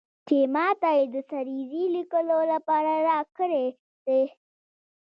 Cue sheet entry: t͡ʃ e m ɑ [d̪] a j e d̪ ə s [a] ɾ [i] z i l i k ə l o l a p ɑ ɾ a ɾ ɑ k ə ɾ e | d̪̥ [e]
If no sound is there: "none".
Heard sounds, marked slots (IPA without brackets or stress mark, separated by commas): t̪, a, i, e